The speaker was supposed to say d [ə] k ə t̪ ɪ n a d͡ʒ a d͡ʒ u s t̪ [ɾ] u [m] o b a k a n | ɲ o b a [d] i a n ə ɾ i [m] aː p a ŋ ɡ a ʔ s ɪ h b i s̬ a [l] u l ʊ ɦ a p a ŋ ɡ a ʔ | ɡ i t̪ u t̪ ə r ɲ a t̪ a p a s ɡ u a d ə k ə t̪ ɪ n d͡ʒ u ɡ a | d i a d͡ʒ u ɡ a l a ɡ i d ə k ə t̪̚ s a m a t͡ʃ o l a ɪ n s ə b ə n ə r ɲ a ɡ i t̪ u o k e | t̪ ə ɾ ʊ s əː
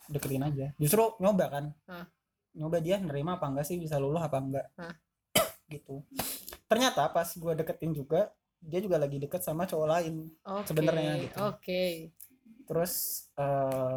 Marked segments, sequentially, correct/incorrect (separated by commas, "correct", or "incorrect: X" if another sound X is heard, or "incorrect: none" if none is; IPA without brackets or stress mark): correct, correct, incorrect: ɲ, correct, correct, correct